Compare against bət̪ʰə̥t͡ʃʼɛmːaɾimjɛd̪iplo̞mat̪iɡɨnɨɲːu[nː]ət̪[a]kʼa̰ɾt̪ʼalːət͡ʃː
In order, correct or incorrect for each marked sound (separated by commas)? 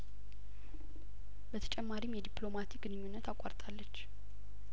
correct, correct